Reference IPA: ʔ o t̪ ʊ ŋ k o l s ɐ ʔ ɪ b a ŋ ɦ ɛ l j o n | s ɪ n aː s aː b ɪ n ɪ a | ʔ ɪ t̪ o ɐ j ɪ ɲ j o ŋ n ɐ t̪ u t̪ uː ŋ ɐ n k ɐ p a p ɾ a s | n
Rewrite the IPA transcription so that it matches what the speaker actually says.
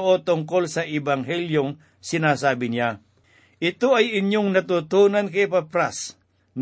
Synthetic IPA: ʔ o t̪ ʊ ŋ k o l s ɐ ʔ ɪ b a ŋ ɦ ɛ l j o ŋ | s ɪ n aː s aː b ɪ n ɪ a | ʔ ɪ t̪ o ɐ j ɪ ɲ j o ŋ n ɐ t̪ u t̪ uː n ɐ n k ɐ p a p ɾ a s | n